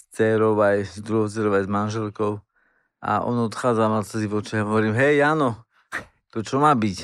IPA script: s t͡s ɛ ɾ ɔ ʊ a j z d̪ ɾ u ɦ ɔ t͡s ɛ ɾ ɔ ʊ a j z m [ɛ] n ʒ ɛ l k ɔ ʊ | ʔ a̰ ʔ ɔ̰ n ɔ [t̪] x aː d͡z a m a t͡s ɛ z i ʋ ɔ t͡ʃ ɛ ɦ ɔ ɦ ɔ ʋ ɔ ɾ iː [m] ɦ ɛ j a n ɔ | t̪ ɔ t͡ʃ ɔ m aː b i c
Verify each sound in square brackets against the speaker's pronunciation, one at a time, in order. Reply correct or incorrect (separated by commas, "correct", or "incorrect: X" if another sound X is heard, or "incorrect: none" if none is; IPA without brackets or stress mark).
incorrect: a, correct, correct